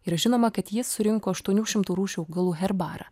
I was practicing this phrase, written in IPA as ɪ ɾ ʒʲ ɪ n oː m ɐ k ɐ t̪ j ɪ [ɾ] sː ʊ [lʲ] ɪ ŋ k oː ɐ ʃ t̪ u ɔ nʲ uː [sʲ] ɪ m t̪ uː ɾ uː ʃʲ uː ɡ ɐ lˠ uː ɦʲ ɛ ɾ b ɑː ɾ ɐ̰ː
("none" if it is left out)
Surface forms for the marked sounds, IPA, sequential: none, ɾʲ, ʃʲ

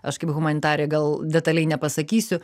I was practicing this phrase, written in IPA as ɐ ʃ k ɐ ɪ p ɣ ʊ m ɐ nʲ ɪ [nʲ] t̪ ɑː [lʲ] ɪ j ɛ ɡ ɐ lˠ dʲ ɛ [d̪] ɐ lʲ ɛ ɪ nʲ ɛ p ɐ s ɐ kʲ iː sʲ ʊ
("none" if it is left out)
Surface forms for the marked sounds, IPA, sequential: none, ɾʲ, t̪

